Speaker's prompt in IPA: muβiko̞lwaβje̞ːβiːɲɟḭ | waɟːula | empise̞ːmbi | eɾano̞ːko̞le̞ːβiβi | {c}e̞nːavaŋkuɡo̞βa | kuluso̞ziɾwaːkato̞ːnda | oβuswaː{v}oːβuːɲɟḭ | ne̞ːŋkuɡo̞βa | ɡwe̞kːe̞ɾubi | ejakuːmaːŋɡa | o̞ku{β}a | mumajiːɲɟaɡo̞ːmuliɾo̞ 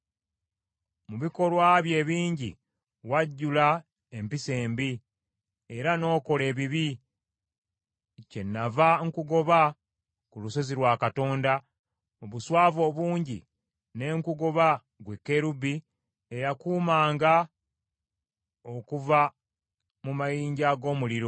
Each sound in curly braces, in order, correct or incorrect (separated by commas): correct, correct, incorrect